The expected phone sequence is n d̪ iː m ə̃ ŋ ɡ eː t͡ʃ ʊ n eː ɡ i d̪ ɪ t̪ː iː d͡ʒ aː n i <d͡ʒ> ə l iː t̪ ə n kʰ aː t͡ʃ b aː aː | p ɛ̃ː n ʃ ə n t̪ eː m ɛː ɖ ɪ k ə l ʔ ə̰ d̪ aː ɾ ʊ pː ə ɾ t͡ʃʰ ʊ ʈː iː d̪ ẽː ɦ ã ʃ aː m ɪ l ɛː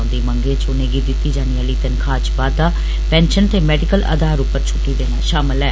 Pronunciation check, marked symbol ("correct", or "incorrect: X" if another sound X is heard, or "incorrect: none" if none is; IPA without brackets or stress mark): incorrect: none